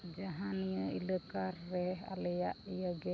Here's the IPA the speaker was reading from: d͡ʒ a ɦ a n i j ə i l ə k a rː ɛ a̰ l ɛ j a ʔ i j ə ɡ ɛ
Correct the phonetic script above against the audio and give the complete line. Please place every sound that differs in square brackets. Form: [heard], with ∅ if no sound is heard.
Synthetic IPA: d͡ʒ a ɦ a n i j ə i l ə k a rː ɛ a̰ l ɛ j a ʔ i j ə ɡ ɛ